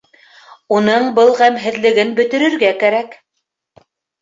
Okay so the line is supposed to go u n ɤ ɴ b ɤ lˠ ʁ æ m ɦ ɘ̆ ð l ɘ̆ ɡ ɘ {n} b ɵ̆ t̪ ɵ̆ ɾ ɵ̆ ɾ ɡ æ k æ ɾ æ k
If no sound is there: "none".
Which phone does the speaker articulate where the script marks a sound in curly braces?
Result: n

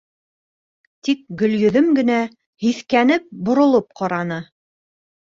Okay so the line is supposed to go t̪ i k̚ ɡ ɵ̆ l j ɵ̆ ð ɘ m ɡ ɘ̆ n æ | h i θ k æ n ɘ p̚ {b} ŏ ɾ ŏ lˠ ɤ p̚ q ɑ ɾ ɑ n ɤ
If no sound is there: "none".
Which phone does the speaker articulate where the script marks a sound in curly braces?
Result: b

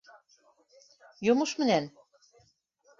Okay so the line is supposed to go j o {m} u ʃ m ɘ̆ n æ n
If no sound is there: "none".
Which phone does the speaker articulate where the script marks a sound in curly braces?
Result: m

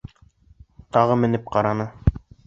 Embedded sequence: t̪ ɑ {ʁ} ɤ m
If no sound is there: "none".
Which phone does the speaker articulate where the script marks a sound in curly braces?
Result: ʁ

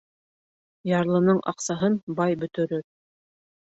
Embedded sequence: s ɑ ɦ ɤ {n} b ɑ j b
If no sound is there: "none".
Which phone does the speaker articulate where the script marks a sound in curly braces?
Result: n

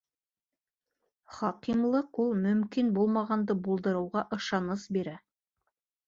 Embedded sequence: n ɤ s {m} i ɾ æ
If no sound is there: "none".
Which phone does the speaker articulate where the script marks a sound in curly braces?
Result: b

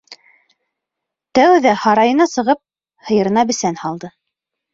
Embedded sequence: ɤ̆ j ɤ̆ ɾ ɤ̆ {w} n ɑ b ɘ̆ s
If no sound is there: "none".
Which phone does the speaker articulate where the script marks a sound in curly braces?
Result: none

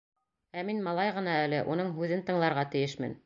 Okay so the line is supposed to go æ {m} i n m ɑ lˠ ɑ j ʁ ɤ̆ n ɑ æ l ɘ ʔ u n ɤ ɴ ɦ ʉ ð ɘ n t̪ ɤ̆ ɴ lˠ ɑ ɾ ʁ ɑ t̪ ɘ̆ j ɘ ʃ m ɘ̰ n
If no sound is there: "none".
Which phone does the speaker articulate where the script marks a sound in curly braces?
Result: m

